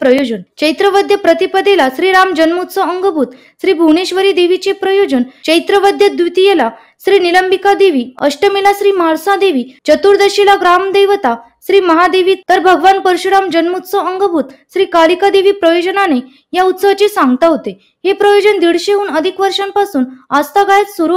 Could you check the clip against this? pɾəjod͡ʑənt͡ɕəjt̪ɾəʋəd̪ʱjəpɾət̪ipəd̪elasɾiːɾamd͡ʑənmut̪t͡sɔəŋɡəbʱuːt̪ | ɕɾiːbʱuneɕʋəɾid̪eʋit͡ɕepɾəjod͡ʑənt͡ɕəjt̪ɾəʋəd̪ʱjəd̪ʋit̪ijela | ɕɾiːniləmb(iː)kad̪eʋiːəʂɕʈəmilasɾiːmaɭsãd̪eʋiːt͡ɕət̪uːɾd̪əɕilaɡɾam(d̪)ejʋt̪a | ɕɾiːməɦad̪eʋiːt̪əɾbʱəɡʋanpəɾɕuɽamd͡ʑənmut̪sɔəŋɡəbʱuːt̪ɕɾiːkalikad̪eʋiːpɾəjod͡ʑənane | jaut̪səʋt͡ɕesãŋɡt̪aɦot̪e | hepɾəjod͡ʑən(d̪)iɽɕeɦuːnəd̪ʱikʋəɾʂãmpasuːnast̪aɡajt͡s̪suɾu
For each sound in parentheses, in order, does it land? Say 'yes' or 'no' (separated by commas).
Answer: no, yes, yes